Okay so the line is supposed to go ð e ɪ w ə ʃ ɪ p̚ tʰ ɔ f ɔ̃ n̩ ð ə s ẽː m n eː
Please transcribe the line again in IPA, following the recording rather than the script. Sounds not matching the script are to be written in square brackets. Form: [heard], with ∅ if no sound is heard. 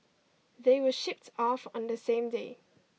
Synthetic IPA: ð e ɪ w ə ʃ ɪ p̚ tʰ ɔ f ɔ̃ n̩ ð ə s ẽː m [d] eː